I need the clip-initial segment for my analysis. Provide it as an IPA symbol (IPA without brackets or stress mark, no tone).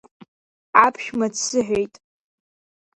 a